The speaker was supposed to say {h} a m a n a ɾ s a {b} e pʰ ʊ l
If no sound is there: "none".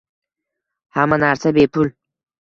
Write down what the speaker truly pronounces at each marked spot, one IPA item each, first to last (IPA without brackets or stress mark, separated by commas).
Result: h, b